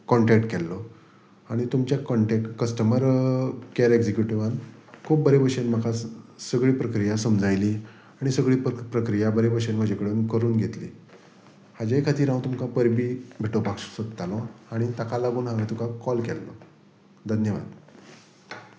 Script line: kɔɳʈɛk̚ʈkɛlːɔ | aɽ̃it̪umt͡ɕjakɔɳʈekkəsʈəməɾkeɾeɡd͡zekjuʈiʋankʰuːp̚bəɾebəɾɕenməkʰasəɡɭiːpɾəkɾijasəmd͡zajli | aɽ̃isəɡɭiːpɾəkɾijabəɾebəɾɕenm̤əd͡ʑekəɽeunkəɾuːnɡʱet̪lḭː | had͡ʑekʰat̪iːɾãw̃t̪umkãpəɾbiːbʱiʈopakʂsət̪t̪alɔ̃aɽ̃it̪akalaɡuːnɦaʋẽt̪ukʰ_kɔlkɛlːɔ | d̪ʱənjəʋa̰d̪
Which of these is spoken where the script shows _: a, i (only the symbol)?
a